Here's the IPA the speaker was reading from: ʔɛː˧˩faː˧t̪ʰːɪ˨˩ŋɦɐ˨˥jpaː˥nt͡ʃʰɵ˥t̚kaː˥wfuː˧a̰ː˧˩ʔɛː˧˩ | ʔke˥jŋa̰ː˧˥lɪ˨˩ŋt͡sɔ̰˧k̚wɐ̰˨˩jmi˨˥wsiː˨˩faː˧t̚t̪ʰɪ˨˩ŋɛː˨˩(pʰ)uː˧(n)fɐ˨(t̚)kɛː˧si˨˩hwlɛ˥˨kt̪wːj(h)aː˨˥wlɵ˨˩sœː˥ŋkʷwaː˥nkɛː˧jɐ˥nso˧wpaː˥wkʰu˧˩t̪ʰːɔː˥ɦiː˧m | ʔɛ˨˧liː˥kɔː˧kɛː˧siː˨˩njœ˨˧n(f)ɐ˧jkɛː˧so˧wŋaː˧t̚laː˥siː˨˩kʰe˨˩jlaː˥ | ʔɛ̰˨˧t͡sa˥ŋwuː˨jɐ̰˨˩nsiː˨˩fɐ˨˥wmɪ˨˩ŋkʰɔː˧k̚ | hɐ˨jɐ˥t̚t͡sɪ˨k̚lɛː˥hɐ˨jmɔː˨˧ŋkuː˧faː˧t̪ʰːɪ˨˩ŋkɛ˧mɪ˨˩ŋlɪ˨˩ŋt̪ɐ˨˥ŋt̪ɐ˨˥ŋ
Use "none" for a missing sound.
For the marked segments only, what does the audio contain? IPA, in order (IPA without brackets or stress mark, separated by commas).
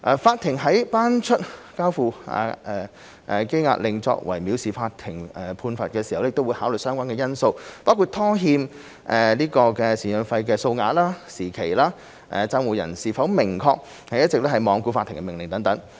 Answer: pʰ, n, t̚, h, f